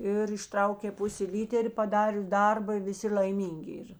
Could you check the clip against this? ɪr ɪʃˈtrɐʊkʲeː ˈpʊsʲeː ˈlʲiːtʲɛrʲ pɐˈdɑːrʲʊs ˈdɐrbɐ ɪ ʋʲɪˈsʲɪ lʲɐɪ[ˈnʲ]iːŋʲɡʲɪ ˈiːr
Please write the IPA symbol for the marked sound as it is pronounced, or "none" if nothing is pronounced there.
mʲ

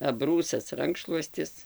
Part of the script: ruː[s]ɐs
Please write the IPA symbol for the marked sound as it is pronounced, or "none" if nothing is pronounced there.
s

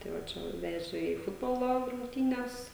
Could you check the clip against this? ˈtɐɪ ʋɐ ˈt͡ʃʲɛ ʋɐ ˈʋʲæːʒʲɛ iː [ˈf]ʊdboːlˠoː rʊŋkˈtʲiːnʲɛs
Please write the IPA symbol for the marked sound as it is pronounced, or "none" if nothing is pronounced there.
f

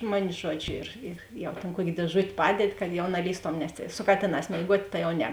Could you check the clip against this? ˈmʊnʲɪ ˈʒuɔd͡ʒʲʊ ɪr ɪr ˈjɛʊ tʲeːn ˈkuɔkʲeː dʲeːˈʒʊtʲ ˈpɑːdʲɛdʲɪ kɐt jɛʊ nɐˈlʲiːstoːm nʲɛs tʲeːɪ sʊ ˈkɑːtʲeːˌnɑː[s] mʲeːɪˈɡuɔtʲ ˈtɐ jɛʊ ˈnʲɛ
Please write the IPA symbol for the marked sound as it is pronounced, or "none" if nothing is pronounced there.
s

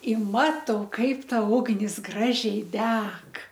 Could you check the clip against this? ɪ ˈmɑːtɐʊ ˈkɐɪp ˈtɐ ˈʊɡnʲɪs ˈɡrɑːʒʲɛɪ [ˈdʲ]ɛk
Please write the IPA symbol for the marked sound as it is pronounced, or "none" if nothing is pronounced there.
dʲ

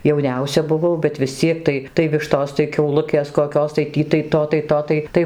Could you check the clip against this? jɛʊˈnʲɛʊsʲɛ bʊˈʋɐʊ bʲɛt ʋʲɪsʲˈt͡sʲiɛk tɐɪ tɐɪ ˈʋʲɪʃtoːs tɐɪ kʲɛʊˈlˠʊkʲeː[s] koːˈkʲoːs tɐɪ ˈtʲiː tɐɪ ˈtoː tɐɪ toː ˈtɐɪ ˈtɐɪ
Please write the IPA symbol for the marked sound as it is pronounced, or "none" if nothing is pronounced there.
s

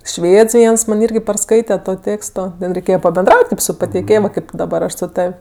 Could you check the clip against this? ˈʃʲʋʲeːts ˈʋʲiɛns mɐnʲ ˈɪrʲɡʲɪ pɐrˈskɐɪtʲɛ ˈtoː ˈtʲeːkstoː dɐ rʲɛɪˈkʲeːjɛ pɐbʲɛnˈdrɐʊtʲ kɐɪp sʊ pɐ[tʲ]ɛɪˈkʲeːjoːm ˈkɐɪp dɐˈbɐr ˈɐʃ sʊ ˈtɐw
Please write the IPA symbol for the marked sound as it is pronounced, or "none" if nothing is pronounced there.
tʲ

